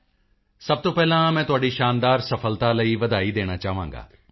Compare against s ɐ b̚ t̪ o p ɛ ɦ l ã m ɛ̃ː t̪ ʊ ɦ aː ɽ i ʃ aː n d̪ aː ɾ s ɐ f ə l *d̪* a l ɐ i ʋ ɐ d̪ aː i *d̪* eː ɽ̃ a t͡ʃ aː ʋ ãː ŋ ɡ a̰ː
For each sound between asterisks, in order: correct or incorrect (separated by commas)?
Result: incorrect, correct